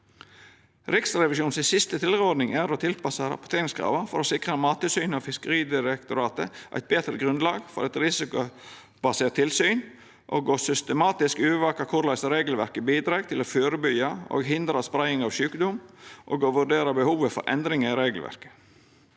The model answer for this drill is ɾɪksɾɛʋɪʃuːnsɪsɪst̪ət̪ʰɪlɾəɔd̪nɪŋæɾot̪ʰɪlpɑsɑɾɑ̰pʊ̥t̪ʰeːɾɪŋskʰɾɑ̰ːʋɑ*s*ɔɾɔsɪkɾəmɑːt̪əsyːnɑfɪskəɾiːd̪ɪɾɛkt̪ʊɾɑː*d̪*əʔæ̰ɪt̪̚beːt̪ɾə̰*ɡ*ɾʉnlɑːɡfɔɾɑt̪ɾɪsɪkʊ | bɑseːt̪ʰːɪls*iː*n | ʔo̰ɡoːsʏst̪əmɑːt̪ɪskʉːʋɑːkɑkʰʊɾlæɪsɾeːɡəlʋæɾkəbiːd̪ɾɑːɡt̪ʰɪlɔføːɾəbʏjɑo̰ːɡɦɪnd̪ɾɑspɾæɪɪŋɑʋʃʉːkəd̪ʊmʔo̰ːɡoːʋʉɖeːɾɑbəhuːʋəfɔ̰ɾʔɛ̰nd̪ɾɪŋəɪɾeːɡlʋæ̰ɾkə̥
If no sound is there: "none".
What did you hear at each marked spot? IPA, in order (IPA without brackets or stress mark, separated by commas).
f, t̪, ɡ, yː